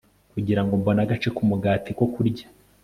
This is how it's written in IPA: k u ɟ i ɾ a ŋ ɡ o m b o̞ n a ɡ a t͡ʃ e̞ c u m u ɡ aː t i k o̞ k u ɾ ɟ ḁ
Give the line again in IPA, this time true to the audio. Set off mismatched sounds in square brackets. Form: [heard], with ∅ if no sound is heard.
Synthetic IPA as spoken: k u ɟ i ɾ a ŋ ɡ o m b o̞ n a ɡ a t͡ʃ e̞ [k] u m u ɡ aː t i k o̞ k u ɾ ɟ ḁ